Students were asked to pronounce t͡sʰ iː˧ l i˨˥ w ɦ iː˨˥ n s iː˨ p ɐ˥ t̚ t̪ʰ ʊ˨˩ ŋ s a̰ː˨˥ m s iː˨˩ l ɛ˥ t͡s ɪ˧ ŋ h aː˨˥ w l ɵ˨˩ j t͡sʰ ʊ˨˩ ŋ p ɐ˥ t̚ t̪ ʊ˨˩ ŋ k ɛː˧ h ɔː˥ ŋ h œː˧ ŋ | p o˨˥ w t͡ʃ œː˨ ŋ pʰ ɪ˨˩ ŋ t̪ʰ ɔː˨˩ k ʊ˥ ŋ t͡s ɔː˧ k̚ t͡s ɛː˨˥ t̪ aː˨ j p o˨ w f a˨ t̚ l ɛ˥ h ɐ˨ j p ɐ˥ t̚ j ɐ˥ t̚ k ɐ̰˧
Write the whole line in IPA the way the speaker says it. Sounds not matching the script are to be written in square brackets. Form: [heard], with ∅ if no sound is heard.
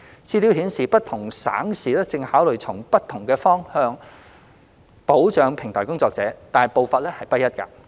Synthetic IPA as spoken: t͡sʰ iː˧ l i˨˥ w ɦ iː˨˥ n s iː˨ p ɐ˥ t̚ t̪ʰ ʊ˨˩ ŋ s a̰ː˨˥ [ŋ] s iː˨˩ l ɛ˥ t͡s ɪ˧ ŋ h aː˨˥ w l ɵ˨˩ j t͡sʰ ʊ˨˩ ŋ p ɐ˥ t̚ [t̪ʰ] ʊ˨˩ ŋ k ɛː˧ [f] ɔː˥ ŋ h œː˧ ŋ | p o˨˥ w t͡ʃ œː˨ ŋ pʰ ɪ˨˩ ŋ t̪ʰ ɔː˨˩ k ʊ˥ ŋ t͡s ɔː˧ k̚ t͡s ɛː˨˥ t̪ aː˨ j p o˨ w f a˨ t̚ l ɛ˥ h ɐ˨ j p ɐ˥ t̚ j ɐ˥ t̚ k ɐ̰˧